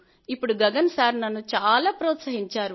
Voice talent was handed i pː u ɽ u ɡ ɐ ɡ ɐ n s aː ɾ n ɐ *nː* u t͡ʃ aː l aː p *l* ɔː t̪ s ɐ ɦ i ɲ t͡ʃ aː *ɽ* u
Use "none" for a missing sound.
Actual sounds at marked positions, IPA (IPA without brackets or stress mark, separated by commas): nː, ɾ, ɾ